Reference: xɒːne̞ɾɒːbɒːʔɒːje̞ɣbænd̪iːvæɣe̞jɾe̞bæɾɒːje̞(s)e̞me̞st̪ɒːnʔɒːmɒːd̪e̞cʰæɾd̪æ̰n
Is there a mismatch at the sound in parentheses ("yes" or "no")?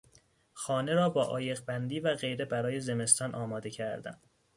yes